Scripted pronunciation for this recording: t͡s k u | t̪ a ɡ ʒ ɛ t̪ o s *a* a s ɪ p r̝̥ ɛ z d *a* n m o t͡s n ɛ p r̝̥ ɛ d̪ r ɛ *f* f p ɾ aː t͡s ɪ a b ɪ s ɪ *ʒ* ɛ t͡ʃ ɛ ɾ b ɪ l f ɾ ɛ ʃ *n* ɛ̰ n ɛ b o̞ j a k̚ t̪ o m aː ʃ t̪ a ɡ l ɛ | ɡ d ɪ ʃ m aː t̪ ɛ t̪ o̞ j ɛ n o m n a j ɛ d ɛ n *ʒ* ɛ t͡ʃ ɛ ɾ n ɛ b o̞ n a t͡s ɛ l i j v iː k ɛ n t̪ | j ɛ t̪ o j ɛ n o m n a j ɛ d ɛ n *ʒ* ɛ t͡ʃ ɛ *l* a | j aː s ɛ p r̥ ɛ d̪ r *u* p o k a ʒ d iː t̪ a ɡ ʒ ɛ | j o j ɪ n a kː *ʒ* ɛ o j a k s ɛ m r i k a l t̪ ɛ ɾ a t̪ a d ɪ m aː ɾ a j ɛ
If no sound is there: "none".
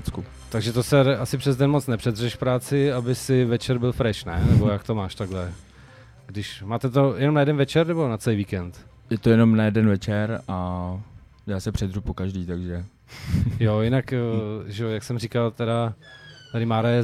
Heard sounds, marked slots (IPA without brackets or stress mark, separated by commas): ɛ, ɛ, ʃ, v, n, v, v, ɾ, u, ʒ